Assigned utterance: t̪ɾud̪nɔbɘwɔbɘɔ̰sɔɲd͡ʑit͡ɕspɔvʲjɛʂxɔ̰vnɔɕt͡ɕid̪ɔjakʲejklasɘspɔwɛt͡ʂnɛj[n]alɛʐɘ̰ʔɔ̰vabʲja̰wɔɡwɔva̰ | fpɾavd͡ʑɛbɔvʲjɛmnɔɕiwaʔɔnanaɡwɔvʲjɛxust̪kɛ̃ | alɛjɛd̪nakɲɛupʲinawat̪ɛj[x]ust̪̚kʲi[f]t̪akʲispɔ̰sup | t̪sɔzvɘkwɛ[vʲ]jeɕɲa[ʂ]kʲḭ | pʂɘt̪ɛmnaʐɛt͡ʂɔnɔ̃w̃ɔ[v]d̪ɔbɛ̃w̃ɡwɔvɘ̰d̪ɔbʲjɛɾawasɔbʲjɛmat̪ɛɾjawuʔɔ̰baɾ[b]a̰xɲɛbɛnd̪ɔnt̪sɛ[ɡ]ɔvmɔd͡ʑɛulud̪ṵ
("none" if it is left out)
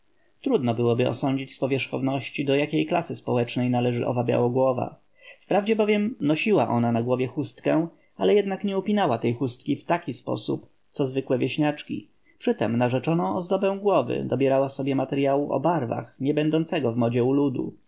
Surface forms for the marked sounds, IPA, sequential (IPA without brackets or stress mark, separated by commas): n, x, f, vʲ, t͡ʂ, z, v, ɡ